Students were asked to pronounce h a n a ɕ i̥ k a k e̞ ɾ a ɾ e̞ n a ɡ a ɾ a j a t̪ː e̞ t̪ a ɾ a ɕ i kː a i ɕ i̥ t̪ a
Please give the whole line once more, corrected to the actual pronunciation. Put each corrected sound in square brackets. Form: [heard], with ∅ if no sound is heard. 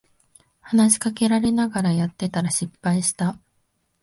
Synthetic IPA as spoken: h a n a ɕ i̥ k a k e̞ ɾ a ɾ e̞ n a ɡ a ɾ a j a t̪ː e̞ t̪ a ɾ a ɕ i [pː] a i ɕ i̥ t̪ a